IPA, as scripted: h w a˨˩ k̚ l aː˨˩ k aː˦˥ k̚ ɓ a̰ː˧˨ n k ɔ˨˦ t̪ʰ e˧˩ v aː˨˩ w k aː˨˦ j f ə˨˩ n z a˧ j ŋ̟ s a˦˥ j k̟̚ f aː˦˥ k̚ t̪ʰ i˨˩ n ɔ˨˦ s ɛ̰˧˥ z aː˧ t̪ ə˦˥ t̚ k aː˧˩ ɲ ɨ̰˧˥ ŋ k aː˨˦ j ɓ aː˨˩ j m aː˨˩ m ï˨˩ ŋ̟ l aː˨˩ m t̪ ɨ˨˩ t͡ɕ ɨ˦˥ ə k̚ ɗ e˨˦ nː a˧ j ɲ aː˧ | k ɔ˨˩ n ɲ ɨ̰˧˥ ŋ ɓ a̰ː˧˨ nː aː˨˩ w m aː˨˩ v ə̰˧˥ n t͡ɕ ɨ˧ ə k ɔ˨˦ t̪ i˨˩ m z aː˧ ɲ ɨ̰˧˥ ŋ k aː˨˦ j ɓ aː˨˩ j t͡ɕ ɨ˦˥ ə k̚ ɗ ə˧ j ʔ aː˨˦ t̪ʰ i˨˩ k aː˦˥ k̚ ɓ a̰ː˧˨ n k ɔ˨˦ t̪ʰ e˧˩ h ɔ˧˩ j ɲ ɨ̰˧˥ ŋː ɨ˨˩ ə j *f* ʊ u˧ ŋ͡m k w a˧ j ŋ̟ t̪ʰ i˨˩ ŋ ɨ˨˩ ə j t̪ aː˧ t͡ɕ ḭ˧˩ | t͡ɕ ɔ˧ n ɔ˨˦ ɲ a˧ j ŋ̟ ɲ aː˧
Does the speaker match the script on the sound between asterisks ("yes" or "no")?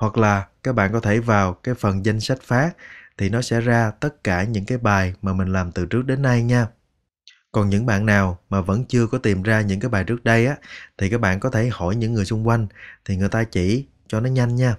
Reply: no